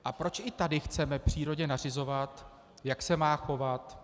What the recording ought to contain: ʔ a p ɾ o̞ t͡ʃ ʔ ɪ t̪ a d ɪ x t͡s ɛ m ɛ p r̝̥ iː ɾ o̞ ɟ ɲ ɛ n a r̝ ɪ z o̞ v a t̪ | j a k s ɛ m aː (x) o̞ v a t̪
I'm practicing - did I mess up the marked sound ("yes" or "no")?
no